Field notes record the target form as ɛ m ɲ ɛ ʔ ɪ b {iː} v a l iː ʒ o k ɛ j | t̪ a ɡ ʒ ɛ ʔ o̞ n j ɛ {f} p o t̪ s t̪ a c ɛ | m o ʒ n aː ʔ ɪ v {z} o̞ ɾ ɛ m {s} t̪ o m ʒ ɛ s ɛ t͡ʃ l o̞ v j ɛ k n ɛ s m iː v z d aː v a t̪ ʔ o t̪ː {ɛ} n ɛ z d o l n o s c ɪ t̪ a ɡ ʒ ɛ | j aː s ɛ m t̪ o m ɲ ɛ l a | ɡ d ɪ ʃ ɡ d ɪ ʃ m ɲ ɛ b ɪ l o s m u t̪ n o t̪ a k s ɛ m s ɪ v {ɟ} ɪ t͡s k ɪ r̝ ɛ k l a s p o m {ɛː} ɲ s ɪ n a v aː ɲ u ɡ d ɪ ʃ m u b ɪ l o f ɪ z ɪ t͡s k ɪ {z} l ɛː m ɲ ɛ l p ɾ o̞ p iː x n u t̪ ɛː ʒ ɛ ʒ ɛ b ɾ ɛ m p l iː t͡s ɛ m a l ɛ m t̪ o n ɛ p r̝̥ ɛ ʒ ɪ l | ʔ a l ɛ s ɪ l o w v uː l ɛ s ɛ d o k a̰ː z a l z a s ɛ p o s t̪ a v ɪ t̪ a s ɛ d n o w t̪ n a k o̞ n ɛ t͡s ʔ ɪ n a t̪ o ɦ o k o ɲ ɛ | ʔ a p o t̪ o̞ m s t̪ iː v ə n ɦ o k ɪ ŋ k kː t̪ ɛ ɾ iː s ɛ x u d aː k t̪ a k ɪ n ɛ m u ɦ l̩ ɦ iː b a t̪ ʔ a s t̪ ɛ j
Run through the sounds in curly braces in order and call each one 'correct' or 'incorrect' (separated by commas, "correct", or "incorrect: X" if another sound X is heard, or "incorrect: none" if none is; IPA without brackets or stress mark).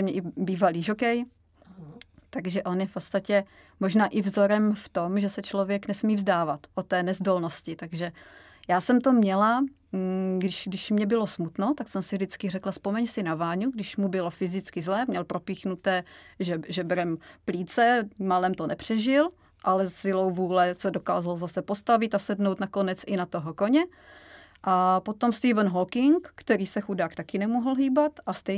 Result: correct, correct, correct, incorrect: f, incorrect: ɛː, incorrect: d, incorrect: ɛ, correct